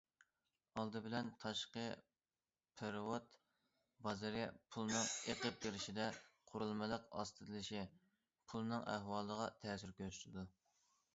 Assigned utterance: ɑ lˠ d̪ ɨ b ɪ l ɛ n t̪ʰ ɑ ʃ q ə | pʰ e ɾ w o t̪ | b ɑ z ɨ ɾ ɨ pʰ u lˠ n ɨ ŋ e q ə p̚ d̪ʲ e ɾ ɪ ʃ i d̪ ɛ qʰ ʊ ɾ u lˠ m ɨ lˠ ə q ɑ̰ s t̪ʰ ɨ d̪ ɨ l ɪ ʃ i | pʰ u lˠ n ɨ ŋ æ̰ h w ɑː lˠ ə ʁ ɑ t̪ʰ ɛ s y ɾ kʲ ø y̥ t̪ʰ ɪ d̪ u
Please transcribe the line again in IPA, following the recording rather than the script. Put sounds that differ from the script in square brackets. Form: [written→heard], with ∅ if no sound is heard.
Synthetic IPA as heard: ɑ lˠ d̪ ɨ b ɪ l ɛ n t̪ʰ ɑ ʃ q ə | pʰ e ɾ w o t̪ | b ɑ z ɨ ɾ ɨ pʰ u lˠ n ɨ ŋ e q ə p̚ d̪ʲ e ɾ ɪ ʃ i d̪ ɛ qʰ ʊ ɾ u lˠ m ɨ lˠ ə q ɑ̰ s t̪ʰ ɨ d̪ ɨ l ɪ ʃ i | pʰ u lˠ n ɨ ŋ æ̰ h w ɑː lˠ ə ʁ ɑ t̪ʰ ɛ s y ɾ kʲ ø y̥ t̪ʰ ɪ d̪ u